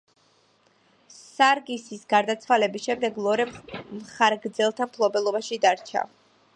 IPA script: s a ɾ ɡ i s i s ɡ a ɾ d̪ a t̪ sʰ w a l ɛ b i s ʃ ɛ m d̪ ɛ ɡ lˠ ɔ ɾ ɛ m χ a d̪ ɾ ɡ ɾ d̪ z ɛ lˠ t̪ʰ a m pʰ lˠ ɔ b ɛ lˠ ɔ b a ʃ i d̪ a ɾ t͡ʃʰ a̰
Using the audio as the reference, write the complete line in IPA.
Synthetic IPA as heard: s a ɾ ɡ i s i s ɡ a ɾ d̪ a t̪ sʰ w a l ɛ b i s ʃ ɛ m d̪ ɛ ɡ lˠ ɔ ɾ ɛ m χ a ɾ ɡ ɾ d̪ z ɛ lˠ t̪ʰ a m pʰ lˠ ɔ b ɛ lˠ ɔ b a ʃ i d̪ a ɾ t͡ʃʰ a̰

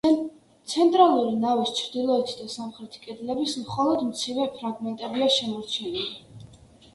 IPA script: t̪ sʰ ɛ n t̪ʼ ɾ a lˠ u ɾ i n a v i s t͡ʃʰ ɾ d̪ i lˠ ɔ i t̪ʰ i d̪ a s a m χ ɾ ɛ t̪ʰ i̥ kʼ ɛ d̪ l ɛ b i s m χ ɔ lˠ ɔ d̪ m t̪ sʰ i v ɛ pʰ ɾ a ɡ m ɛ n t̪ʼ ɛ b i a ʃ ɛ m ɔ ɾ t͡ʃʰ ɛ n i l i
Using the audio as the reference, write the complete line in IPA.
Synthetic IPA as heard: t̪ sʰ ɛ n t̪ʼ ɾ a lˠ u ɾ i n a v i s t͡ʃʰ ɾ d̪ i lˠ ɔ ɛ t̪ʰ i d̪ a s a m χ ɾ ɛ t̪ʰ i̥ kʼ ɛ d̪ l ɛ b i s m χ ɔ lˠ ɔ d̪ m t̪ sʰ i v ɛ pʰ ɾ a ɡ m ɛ n t̪ʼ ɛ b i a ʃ ɛ m ɔ ɾ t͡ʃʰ ɛ n i l i

